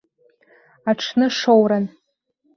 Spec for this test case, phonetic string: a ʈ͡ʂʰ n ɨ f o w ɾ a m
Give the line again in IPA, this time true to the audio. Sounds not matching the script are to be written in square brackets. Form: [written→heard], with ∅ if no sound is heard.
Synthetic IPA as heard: a ʈ͡ʂʰ n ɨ [f→ʂ] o w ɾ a [m→n]